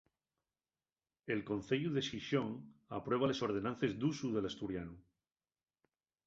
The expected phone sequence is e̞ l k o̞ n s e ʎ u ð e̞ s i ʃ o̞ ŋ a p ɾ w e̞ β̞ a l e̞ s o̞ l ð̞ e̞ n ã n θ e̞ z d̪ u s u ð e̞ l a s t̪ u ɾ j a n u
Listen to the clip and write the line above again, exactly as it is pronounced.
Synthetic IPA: e̞ l k o̞ n θ e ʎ u ð e̞ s i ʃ o̞ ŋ a p ɾ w e̞ β̞ a l e̞ s o̞ ɾ ð̞ e̞ n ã n θ e̞ z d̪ u s u ð e̞ l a s t̪ u ɾ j a n u